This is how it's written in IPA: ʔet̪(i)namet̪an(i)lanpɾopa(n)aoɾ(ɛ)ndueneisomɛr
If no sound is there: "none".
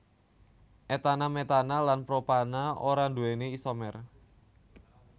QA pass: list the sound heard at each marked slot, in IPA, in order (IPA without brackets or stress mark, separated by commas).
a, a, n, a